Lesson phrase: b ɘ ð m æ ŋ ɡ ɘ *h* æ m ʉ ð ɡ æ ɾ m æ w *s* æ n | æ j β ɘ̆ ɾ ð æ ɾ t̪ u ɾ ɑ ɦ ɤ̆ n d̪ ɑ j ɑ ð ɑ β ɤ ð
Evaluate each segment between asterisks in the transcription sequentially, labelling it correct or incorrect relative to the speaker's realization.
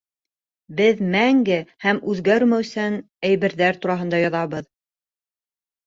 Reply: correct, correct

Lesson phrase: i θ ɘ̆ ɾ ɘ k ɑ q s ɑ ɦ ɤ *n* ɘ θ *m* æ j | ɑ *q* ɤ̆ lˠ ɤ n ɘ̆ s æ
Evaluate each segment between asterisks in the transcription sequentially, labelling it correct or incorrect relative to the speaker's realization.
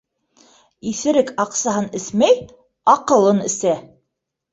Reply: correct, correct, correct

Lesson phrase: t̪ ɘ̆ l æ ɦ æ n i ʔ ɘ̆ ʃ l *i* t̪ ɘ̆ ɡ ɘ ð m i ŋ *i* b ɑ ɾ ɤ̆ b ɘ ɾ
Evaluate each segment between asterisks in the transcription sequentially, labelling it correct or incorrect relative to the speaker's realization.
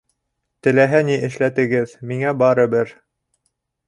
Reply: incorrect: æ, incorrect: æ

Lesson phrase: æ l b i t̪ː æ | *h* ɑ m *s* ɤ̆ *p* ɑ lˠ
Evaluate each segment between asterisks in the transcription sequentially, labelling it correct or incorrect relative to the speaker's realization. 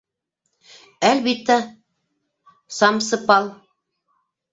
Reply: incorrect: s, correct, correct

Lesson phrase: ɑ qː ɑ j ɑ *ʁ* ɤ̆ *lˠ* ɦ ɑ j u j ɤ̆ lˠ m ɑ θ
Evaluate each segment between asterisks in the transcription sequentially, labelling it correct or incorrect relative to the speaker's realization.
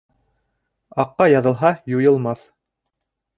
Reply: incorrect: ð, correct

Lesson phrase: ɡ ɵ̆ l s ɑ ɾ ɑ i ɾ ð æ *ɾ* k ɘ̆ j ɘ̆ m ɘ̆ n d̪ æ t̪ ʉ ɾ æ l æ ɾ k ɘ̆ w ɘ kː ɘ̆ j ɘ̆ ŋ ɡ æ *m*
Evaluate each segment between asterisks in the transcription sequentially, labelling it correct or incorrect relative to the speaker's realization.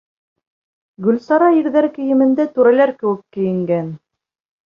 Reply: correct, incorrect: n

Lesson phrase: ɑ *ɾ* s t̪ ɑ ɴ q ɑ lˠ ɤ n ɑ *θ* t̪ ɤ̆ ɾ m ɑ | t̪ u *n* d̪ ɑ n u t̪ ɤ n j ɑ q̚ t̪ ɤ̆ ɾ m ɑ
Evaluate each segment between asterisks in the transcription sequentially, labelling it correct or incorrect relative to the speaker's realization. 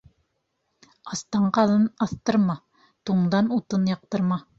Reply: incorrect: none, correct, incorrect: ɴ

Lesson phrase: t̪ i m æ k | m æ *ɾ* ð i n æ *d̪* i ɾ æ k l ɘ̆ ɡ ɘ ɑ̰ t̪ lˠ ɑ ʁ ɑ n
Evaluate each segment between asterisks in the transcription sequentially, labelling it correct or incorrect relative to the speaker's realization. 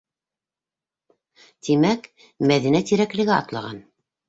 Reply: incorrect: none, incorrect: t̪

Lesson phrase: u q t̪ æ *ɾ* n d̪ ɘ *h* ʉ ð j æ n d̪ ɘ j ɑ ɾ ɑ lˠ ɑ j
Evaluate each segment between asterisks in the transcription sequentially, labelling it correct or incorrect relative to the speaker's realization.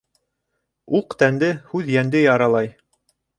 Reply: incorrect: none, correct

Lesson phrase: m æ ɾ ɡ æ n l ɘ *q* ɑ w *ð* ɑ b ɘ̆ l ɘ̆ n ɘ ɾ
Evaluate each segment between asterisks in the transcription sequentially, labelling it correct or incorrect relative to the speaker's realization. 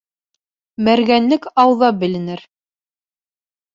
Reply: incorrect: k, correct

